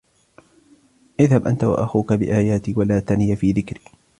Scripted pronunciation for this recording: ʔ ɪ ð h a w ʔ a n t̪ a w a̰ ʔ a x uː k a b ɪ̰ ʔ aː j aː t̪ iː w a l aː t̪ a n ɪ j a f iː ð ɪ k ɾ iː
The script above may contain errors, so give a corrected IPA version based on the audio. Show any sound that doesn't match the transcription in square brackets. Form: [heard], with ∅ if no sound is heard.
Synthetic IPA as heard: ʔ ɪ ð h a [b] ʔ a n t̪ a w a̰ ʔ a x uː k a b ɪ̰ ʔ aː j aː t̪ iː w a l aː t̪ a n ɪ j a f iː ð ɪ k ɾ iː